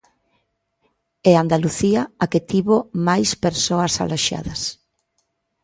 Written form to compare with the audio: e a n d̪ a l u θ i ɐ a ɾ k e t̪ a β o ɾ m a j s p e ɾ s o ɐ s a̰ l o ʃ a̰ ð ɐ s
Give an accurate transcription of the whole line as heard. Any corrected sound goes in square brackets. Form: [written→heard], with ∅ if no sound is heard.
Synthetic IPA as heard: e a n d̪ a l u θ i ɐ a [ɾ→∅] k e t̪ [a→i] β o [ɾ→∅] m a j s p e ɾ s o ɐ s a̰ l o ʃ a̰ ð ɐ s